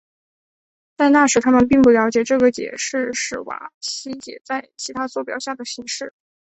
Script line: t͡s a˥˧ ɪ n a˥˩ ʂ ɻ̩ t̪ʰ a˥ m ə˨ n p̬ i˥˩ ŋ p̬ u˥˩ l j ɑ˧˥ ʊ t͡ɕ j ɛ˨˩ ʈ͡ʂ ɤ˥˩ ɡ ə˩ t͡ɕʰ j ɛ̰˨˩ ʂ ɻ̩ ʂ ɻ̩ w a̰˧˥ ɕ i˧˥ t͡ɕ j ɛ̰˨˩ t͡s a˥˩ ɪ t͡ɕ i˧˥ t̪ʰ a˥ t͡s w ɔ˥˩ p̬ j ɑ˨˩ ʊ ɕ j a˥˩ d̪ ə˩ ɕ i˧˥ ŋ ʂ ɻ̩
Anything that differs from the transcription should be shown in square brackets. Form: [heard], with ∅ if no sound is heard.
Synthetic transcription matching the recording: t͡s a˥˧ ɪ n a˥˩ ʂ ɻ̩ t̪ʰ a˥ m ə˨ n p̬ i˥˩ ŋ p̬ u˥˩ l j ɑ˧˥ ʊ t͡ɕ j ɛ˨˩ ʈ͡ʂ ɤ˥˩ ɡ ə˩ [t͡ɕ] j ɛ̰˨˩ ʂ ɻ̩ ʂ ɻ̩ w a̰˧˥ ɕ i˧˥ t͡ɕ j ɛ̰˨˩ t͡s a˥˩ ɪ [t͡ɕʰ] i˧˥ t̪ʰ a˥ t͡s w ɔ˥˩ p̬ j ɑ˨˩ ʊ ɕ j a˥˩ d̪ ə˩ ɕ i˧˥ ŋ ʂ ɻ̩

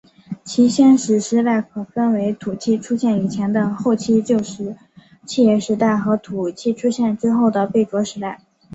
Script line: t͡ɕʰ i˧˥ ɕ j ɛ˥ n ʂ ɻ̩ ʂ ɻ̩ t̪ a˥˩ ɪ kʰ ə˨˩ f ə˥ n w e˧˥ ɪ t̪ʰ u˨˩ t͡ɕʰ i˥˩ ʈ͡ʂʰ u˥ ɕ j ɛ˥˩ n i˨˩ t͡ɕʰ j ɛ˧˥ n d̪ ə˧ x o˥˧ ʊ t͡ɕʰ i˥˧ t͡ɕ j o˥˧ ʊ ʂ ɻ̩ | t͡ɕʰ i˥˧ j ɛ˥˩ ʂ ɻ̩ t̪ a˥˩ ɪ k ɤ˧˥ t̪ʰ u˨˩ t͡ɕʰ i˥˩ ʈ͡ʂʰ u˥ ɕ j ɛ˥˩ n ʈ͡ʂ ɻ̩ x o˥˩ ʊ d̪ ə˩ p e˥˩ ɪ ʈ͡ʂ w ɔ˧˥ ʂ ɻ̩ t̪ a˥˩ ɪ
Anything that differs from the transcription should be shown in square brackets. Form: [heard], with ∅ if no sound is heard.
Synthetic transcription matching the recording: t͡ɕʰ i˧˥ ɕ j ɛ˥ n ʂ ɻ̩ ʂ ɻ̩ t̪ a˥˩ ɪ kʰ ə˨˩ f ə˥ n w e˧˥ ɪ t̪ʰ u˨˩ t͡ɕʰ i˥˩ ʈ͡ʂʰ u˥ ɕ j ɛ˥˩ n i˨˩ t͡ɕʰ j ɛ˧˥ n d̪ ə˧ x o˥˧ ʊ t͡ɕʰ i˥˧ t͡ɕ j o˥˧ ʊ ʂ ɻ̩ | t͡ɕʰ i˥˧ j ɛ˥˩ ʂ ɻ̩ t̪ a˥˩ ɪ [x] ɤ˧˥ t̪ʰ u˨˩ t͡ɕʰ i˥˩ ʈ͡ʂʰ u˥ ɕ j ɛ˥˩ n ʈ͡ʂ ɻ̩ x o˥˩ ʊ d̪ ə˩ p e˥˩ ɪ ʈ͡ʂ w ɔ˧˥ ʂ ɻ̩ t̪ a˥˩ ɪ

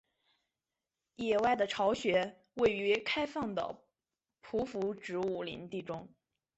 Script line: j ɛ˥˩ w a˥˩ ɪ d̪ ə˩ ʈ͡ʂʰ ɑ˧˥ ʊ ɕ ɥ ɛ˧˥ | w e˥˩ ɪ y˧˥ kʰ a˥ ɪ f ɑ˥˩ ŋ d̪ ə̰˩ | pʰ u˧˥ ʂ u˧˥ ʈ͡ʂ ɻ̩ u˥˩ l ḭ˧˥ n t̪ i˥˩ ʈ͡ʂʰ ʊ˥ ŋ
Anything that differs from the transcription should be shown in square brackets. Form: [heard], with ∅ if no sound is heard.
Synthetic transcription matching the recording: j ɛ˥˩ w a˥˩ ɪ d̪ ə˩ ʈ͡ʂʰ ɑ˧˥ ʊ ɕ ɥ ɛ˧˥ | w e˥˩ ɪ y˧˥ kʰ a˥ ɪ f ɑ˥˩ ŋ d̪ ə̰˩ | pʰ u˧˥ [f] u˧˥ ʈ͡ʂ ɻ̩ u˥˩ l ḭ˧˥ n t̪ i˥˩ [ʈ͡ʂ] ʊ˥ ŋ

